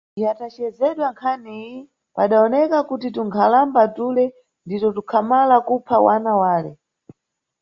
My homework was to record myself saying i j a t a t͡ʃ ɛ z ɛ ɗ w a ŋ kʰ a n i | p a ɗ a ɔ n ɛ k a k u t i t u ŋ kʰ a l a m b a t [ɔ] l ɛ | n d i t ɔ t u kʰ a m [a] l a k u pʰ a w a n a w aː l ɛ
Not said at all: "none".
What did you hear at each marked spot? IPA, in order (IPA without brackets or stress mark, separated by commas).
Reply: u, a